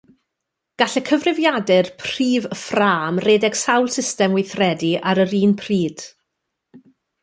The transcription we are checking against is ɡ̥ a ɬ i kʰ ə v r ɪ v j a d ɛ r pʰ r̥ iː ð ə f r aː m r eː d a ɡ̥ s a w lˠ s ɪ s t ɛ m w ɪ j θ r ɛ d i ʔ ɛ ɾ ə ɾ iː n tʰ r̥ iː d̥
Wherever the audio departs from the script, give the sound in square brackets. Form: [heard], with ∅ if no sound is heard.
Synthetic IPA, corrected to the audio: ɡ̥ a ɬ [ɛ] kʰ ə v r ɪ v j a d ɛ r pʰ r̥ iː [v] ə f r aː m r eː d [ɛ] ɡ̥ s a w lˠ s ɪ s t ɛ m w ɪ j θ r ɛ d i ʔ [a] ɾ ə ɾ iː n [pʰ] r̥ iː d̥